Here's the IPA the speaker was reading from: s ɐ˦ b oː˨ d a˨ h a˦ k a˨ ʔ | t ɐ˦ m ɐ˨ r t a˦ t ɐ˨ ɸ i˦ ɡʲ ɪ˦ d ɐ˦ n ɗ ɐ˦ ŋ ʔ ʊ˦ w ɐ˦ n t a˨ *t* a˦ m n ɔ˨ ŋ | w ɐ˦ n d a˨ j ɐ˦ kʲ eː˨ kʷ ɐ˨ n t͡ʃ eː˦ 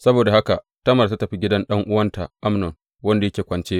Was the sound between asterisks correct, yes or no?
no